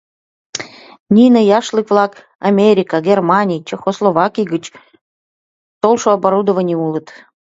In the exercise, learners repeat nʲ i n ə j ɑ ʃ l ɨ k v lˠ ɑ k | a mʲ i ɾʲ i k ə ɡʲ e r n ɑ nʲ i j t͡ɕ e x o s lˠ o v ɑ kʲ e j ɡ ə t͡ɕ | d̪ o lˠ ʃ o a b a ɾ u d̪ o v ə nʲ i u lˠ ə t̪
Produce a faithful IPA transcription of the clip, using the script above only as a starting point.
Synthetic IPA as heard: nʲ i n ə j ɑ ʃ l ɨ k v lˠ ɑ k | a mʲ e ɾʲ i k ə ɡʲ e r m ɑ nʲ i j t͡ɕ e x o s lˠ o v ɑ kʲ i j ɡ ə t͡ɕ | t̪ o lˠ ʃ o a b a ɾ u d̪ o v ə nʲ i u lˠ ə t̪